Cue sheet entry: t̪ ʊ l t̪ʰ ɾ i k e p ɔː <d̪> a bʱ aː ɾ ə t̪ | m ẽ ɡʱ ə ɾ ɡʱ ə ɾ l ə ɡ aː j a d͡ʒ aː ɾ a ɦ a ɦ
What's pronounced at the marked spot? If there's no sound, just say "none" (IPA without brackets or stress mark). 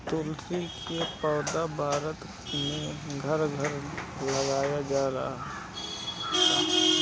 d̪